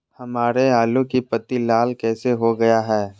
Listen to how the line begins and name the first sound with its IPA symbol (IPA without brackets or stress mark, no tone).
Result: h